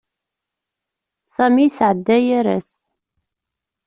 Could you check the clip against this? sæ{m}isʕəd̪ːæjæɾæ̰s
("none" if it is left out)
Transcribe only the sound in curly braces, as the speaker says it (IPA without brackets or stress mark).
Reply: m